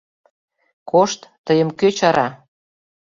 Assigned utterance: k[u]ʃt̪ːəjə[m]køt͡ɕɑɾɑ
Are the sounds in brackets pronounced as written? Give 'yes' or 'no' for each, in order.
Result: no, yes

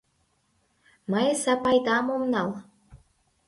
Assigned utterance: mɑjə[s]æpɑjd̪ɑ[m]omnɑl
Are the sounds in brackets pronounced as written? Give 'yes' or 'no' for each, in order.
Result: yes, yes

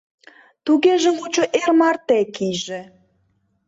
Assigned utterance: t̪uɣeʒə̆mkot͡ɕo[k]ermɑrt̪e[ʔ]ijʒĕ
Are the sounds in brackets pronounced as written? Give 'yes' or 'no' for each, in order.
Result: no, no

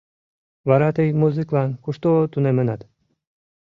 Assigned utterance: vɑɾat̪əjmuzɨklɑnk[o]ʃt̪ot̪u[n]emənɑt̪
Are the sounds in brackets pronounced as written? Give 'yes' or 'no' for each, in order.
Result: no, yes

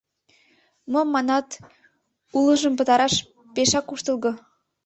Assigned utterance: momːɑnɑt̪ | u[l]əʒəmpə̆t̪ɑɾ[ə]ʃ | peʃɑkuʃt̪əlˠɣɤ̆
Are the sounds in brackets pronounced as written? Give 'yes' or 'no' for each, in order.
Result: yes, no

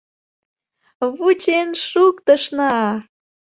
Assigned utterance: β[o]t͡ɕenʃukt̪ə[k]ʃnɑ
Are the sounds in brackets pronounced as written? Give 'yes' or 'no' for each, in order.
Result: no, no

